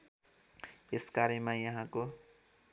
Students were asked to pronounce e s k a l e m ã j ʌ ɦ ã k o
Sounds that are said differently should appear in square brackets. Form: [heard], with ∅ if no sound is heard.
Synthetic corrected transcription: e s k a [ɾ] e m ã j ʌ ɦ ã k o